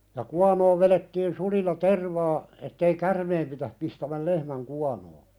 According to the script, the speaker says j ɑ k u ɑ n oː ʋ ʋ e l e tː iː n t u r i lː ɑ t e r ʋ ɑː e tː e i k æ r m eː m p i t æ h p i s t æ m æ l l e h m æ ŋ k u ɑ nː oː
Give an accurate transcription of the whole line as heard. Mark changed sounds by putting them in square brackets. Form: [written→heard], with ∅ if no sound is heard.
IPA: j ɑ k u ɑ n oː ʋ ʋ e l e tː iː n [t→s] u [r→l] i lː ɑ t e r ʋ ɑː e tː e i k æ r m eː m p i t æ h p i s t æ m æ l l e h m æ ŋ k u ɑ [nː→n] oː